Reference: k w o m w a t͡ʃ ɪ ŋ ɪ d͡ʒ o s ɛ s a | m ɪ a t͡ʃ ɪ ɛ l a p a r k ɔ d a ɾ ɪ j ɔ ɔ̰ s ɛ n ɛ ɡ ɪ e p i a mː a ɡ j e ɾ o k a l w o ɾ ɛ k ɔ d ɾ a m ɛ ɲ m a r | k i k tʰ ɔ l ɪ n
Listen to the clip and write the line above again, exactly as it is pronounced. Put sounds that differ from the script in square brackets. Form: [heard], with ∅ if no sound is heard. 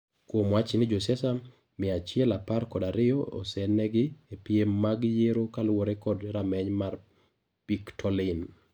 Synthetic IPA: k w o m w a t͡ʃ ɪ [n] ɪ d͡ʒ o s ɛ s a | m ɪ a t͡ʃ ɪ ɛ l a p a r k ɔ d a ɾ ɪ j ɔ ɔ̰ s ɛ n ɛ ɡ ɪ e p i [e] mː a ɡ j e ɾ o k a l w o ɾ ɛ k ɔ d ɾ a m ɛ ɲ m a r | [p] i k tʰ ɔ l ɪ n